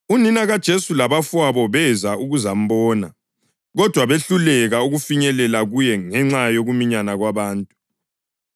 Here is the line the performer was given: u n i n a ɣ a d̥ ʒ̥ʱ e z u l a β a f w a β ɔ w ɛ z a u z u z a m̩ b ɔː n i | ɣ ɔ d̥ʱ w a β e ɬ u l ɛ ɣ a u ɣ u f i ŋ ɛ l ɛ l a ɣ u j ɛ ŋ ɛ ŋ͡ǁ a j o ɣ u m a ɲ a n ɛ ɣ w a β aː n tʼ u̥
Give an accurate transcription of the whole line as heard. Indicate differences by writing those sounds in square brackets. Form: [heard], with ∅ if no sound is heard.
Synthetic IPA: u n i n a ɣ a d̥ ʒ̥ʱ e [s] u l a β a f w a β ɔ [β] ɛ z a u [ɣ] u z a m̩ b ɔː n [a] | ɣ ɔ d̥ʱ w a β e ɬ u l ɛ ɣ a u ɣ u f i [ɲ] ɛ l ɛ l a ɣ u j ɛ ŋ ɛ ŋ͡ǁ a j o ɣ u m [i] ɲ a n [a] ɣ w a β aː n tʼ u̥